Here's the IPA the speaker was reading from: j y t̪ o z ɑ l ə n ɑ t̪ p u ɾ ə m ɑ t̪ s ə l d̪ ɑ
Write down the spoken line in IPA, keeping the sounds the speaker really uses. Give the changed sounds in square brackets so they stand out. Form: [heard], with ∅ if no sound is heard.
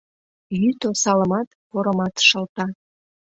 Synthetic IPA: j y t̪ o [s] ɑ l ə [m] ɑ t̪ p [o] ɾ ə m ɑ t̪ [ʃ] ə l [t̪] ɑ